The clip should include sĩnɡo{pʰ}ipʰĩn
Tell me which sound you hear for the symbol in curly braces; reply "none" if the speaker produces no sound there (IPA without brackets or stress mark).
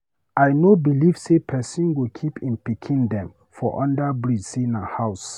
kʰ